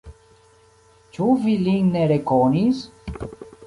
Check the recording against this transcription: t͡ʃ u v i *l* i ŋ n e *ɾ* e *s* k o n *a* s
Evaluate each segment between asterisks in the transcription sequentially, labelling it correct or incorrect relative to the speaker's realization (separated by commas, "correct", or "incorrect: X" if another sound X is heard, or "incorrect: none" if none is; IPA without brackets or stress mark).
correct, correct, incorrect: none, incorrect: i